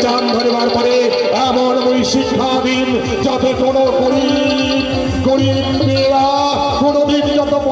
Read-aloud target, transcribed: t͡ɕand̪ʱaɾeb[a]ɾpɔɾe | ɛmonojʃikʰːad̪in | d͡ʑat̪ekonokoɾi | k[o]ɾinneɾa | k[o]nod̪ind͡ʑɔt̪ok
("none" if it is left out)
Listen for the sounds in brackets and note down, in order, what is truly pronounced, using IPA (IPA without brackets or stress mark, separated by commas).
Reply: a, o, o